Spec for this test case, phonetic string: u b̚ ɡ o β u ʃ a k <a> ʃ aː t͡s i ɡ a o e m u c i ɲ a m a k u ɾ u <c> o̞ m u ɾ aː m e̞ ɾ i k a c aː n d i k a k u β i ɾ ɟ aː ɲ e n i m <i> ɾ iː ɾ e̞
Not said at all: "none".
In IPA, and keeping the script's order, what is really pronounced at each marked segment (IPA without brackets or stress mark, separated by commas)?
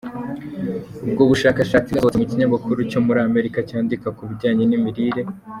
a, c, i